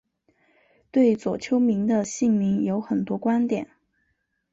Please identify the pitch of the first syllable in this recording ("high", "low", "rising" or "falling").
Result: falling